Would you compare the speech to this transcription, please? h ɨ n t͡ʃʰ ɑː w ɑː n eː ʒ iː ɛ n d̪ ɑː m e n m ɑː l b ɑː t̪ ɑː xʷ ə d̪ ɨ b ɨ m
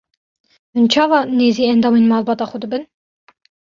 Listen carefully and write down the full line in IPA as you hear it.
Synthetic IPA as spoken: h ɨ n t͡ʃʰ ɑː v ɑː n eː z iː ɛ n d̪ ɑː m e n m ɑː l b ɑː t̪ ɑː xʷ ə d̪ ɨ b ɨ n